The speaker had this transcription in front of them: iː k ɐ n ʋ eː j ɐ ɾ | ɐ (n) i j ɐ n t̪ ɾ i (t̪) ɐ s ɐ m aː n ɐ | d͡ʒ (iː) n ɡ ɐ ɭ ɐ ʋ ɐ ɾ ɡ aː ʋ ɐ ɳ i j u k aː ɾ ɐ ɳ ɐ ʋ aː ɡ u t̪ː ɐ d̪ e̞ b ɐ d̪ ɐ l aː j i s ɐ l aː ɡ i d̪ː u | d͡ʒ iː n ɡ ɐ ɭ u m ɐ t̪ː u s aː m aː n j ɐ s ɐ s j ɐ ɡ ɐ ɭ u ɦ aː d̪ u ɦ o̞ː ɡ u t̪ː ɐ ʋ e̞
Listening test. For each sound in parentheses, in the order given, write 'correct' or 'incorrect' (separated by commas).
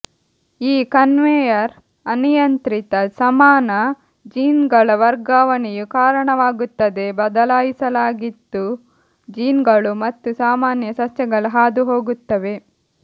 correct, correct, correct